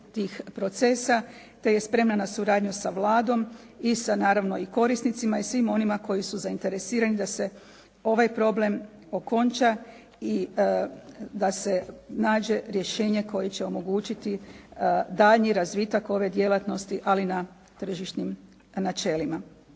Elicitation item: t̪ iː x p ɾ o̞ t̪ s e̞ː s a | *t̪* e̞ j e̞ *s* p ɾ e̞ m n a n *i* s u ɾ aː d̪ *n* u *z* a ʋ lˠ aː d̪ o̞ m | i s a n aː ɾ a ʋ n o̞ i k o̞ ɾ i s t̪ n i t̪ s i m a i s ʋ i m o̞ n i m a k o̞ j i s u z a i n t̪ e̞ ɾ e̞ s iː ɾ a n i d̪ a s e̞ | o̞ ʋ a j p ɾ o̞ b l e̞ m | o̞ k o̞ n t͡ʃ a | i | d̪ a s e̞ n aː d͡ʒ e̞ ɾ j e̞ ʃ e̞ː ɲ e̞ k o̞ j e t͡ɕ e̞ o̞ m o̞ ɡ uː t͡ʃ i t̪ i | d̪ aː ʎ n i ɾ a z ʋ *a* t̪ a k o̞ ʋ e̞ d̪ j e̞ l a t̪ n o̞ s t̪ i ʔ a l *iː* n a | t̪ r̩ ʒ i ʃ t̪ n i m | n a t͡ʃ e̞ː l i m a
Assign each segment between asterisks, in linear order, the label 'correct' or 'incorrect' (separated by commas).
correct, correct, incorrect, incorrect, incorrect, incorrect, incorrect